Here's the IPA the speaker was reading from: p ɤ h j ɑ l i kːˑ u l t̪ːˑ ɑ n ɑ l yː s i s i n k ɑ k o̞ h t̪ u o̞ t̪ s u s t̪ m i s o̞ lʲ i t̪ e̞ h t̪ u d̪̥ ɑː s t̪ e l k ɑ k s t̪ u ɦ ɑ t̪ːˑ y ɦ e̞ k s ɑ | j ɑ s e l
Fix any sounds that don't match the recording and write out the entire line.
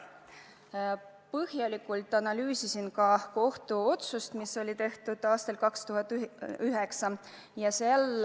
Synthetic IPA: p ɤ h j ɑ l i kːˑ u l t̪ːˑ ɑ n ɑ l yː s i s i n k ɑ k o̞ h t̪ u o̞ t̪ s u s t̪ m i s o̞ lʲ i t̪ e̞ h t̪ u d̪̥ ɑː s t̪ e l k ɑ k s t̪ u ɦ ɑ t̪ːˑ y ɦ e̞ k s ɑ | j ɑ s e l